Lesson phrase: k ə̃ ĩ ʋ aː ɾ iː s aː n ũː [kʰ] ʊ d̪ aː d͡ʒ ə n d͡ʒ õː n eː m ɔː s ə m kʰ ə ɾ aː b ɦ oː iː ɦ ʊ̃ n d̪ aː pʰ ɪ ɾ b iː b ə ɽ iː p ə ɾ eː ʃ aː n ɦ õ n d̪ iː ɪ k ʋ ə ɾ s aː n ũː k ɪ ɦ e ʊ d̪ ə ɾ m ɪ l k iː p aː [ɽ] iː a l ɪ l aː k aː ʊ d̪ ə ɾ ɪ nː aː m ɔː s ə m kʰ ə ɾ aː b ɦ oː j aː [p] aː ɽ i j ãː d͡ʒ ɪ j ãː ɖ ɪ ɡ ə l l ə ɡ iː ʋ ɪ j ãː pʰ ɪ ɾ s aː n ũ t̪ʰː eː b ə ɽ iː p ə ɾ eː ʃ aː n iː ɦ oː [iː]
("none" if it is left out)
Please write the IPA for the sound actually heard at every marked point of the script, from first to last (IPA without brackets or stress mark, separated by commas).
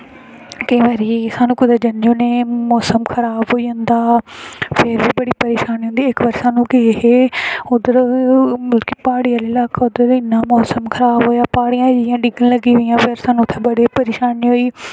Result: k, ɽ, p, iː